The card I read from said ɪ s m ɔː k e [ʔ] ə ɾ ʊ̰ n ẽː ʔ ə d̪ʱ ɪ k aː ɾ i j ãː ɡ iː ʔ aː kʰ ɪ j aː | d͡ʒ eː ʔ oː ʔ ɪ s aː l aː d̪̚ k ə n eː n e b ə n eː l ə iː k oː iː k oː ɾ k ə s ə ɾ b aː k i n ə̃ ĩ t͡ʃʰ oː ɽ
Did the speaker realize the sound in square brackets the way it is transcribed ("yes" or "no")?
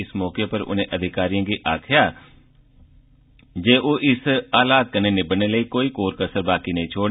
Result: no